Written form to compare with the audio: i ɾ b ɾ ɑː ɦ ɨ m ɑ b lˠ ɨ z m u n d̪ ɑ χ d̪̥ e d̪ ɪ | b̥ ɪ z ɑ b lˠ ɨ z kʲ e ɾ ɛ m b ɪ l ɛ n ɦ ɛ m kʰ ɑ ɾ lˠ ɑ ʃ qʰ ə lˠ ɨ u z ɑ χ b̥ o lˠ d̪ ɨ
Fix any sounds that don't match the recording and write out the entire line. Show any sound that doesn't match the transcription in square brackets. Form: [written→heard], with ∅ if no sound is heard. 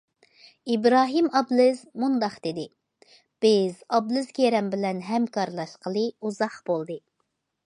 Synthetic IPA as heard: i [ɾ→∅] b ɾ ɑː ɦ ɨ m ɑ b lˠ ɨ z m u n d̪ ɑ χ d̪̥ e d̪ ɪ | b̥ ɪ z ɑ b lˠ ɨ z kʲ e ɾ ɛ m b ɪ l ɛ n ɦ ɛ m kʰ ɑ ɾ lˠ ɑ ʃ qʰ ə lˠ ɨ u z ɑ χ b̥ o lˠ d̪ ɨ